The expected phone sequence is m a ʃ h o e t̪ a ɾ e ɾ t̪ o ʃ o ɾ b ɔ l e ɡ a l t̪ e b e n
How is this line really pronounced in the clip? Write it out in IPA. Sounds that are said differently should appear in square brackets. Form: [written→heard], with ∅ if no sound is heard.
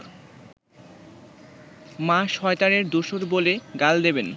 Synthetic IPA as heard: m a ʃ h [o→ɔ] e t̪ a ɾ e ɾ [t̪→d̪] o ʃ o ɾ b [ɔ→o] l e ɡ a l [t̪→d̪] e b e n